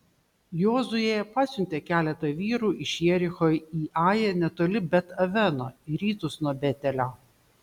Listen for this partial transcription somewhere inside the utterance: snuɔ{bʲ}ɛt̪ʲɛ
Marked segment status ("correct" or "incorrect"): correct